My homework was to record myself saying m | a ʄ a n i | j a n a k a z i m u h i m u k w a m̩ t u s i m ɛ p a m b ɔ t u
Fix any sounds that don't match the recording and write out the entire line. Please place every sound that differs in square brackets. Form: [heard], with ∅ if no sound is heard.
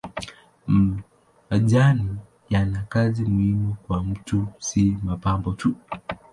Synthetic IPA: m | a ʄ a n i | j a n a k a z i m u h i m u k w a m̩ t u s i m [a] p a m b ɔ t u